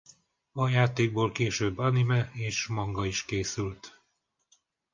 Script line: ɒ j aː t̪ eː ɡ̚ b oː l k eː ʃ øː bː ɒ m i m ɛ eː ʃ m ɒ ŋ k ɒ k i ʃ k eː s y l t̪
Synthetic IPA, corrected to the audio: ɒ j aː t̪ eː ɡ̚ b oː l k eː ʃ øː bː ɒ n i m ɛ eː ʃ m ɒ ŋ ɡ ɒ i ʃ k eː s y l t̪